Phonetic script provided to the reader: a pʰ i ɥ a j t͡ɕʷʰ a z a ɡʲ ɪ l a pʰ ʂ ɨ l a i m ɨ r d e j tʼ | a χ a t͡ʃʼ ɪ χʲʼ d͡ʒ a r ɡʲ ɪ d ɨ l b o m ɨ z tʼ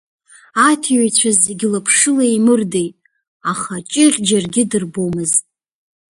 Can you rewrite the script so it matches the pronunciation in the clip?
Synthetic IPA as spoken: a tʰ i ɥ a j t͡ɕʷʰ a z e ɡʲ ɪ l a pʰ ʂ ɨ l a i m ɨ r d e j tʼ | a χ a t͡ʃʼ ɪ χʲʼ d͡ʒ a r ɡʲ ɪ d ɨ r b o m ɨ z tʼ